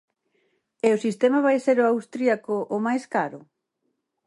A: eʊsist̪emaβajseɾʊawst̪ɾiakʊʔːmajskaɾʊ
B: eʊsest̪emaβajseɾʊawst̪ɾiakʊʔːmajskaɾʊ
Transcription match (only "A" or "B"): A